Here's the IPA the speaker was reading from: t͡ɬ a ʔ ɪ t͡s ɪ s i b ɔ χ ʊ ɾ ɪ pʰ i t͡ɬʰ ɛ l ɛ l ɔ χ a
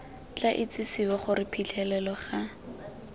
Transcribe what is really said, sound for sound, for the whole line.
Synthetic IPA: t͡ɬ a ʔ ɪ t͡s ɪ s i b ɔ χ ʊ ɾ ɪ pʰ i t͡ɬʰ ɛ l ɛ l ɔ χ a